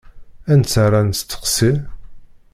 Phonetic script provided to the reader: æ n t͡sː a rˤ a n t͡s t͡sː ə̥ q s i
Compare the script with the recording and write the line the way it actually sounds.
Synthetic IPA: æ n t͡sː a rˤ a n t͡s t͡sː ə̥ q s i